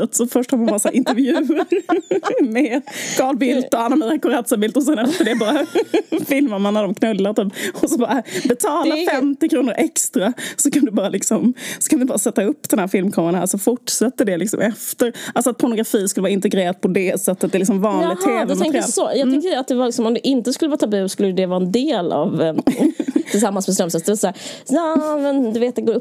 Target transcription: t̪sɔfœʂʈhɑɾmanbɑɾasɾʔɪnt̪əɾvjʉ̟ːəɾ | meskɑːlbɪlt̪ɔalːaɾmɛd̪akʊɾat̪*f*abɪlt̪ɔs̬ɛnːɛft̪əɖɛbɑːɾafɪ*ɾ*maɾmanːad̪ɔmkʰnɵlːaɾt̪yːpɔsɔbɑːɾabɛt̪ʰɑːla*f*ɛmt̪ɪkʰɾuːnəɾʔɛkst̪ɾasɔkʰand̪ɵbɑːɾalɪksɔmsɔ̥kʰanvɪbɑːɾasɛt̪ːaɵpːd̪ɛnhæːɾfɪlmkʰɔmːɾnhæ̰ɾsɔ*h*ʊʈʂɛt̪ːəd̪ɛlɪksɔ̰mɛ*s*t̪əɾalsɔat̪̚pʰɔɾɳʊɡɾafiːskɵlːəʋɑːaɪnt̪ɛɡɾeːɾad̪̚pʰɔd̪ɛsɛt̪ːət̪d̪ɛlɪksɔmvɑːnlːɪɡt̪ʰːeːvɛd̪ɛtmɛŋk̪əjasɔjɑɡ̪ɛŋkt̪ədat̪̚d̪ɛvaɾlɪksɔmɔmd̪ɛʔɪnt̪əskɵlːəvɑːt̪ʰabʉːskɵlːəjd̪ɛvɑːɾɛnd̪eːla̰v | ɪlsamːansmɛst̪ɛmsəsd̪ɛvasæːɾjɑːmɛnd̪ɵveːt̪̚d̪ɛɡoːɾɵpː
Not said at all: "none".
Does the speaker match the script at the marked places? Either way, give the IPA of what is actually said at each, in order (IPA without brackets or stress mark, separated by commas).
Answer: s, l, f, f, f